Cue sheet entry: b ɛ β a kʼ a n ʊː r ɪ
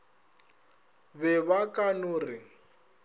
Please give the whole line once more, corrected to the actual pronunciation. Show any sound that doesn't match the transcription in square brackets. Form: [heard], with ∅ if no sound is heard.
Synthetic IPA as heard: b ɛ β a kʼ a n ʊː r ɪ